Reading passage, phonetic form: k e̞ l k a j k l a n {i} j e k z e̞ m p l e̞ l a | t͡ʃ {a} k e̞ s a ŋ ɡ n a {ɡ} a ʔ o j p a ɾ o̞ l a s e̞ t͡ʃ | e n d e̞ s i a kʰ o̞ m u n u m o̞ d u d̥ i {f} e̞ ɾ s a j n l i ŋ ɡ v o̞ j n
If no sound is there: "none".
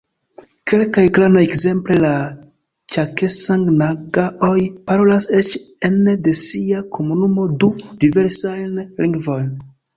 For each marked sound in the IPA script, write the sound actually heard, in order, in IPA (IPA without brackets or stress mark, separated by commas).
a, a, ɡ, v